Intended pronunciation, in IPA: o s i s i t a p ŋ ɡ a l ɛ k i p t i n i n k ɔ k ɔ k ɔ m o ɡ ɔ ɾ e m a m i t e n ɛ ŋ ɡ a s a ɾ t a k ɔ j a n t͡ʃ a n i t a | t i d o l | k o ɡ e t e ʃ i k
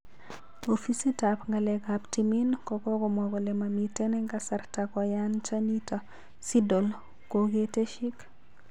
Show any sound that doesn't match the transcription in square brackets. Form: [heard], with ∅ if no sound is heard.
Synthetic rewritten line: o [f] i s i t a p ŋ ɡ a l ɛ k [a] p t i [m] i n k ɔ k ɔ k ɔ m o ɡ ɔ [l] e m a m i t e n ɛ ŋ ɡ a s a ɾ t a k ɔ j a n t͡ʃ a n i t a | [s] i d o l | k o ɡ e t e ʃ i k